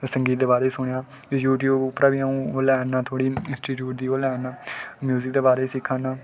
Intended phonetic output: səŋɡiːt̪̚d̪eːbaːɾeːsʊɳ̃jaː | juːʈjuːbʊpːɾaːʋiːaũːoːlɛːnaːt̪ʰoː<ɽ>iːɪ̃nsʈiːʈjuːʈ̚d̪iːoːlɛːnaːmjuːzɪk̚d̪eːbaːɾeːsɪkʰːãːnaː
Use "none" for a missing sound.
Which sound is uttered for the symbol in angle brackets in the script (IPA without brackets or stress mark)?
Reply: ɽ